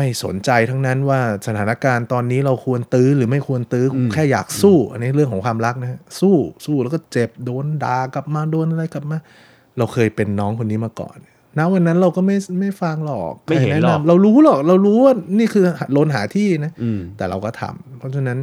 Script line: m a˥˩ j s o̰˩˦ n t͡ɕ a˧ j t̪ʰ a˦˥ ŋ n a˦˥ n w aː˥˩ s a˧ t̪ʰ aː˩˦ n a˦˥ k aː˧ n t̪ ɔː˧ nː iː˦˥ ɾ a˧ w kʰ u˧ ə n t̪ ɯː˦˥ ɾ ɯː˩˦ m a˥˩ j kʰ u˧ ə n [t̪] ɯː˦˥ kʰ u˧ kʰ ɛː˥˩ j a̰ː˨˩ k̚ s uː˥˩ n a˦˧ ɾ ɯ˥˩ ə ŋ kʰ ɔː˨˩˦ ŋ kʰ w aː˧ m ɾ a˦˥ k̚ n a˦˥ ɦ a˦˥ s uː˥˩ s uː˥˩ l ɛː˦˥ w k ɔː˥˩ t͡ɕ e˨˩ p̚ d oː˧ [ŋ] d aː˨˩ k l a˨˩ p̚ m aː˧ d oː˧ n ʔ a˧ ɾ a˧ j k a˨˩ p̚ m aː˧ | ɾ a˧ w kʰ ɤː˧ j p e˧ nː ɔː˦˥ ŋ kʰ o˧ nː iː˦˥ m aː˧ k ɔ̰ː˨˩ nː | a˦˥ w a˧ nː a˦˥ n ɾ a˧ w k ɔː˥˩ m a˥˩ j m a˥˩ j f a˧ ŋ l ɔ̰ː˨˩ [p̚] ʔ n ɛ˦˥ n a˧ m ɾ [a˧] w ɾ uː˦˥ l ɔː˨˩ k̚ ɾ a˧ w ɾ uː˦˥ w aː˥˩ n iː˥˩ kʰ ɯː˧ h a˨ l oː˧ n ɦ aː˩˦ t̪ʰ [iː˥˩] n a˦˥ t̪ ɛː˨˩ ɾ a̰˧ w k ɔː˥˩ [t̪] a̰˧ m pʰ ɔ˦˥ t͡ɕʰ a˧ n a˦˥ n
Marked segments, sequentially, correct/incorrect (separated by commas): correct, incorrect, incorrect, correct, correct, incorrect